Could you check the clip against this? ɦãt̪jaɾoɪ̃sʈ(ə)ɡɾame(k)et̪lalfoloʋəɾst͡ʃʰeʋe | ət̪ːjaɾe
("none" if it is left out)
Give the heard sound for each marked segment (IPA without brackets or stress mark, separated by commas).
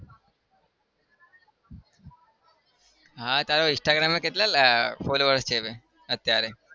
a, k